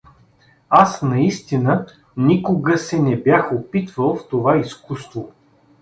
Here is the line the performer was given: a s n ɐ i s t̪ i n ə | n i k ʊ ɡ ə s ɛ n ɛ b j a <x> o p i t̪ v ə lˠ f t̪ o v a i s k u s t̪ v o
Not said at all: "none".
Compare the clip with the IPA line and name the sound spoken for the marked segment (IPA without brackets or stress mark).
x